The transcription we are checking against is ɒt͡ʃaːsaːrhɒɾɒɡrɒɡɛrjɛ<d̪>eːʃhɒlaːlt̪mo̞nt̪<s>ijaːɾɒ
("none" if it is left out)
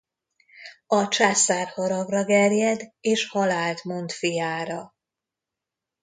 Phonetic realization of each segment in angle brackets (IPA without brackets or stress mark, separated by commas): d̪, f